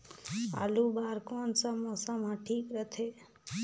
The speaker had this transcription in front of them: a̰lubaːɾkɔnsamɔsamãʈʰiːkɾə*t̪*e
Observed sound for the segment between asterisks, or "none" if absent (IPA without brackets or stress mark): t̪ʰ